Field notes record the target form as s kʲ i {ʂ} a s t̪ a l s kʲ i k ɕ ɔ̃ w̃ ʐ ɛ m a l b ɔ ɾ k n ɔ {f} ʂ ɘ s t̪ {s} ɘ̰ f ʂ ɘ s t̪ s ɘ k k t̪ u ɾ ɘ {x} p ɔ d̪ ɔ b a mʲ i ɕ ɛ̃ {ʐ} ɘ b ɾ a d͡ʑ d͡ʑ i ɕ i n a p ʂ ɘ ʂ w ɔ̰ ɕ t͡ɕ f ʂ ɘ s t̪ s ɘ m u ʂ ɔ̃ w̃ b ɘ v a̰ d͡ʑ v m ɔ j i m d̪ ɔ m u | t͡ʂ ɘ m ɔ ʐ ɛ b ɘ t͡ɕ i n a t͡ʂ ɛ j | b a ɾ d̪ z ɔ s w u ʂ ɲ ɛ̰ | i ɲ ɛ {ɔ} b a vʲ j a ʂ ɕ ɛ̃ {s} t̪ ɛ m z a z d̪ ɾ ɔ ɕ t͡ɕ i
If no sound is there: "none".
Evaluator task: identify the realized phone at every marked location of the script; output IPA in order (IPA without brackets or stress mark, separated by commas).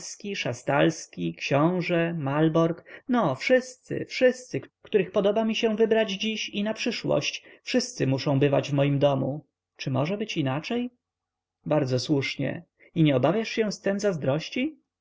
ʂ, f, s, x, v, ɔ, s